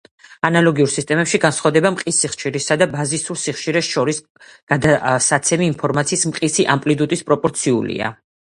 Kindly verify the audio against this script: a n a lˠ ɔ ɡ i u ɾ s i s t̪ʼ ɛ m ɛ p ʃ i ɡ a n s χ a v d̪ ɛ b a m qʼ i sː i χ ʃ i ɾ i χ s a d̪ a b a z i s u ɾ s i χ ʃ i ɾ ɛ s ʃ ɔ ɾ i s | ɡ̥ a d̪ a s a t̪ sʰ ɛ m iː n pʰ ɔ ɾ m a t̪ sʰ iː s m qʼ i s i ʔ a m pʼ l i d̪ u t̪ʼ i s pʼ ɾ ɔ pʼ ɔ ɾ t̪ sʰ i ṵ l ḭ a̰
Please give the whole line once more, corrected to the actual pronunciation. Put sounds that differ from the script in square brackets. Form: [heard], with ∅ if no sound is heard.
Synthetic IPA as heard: a n a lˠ ɔ ɡ i u ɾ s i s t̪ʼ ɛ m ɛ p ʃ i ɡ a n s χ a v d̪ ɛ b a m qʼ i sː i χ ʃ i ɾ i [∅] s a d̪ a b a z i s u ɾ s i χ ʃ i ɾ ɛ s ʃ ɔ ɾ i s | ɡ̥ a d̪ a s a t̪ sʰ ɛ m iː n pʰ ɔ ɾ m a t̪ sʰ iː s m qʼ i s i ʔ a m pʼ l i d̪ u t̪ʼ i s pʼ ɾ ɔ pʼ ɔ ɾ t̪ sʰ i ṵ l ḭ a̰